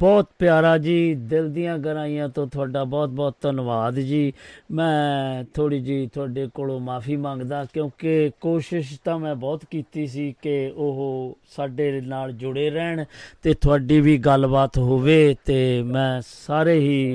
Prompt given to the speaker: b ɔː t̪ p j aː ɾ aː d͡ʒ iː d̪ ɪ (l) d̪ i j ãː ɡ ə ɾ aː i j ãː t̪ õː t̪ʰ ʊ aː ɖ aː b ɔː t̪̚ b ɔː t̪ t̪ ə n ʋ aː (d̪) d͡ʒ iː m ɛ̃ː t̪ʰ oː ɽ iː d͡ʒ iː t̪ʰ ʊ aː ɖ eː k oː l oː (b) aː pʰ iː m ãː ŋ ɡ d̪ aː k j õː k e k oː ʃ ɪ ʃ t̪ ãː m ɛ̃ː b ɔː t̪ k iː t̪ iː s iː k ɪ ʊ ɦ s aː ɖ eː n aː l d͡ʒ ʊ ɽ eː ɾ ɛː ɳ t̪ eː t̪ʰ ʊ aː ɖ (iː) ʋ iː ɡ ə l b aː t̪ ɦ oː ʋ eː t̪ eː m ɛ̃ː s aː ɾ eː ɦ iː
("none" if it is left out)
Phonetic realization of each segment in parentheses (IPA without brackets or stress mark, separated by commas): l, d̪, m, iː